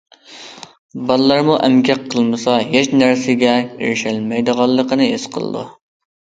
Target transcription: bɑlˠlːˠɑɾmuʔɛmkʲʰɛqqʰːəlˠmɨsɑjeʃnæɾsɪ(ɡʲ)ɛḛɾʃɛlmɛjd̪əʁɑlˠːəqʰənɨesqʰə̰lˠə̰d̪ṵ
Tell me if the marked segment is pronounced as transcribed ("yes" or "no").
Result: yes